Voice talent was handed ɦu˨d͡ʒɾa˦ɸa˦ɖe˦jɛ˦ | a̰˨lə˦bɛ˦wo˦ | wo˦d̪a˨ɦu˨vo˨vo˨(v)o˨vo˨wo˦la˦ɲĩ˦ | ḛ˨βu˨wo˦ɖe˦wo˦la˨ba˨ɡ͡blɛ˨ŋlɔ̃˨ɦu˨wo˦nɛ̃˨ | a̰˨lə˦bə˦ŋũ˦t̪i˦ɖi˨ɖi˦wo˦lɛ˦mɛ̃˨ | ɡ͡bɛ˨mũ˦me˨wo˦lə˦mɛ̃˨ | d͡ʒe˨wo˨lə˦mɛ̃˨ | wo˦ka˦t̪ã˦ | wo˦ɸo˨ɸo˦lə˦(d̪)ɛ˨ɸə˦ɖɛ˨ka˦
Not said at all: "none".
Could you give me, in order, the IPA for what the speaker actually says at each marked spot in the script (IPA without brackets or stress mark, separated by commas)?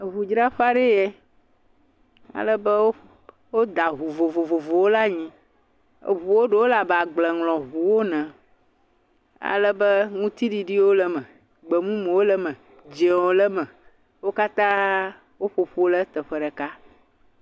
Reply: v, t̪